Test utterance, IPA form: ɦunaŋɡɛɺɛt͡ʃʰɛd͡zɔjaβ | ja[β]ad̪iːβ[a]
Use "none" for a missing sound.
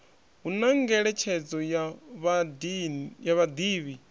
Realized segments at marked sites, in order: β, i

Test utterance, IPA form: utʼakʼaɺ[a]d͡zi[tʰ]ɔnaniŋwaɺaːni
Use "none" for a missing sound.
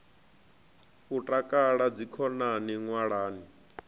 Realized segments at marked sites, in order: a, kʰ

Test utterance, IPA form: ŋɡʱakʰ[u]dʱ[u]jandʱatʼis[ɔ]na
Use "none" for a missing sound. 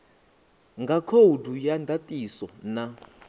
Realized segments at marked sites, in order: o, u, ɔ

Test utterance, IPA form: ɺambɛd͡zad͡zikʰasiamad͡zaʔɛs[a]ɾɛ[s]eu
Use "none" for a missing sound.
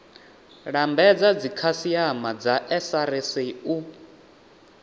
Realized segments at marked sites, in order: a, s

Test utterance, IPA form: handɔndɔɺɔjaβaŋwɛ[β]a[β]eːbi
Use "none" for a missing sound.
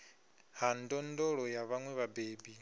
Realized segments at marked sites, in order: β, b

